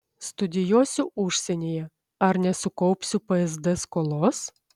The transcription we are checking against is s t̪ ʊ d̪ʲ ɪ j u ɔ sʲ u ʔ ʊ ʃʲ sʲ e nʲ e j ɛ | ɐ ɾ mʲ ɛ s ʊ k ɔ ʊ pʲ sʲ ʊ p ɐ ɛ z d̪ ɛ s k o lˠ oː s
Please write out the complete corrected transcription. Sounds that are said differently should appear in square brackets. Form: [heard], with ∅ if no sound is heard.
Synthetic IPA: s t̪ ʊ d̪ʲ ɪ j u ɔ sʲ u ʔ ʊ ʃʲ sʲ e nʲ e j ɛ | ɐ ɾ [nʲ] ɛ s ʊ k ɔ ʊ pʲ sʲ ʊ p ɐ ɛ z d̪ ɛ s k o lˠ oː s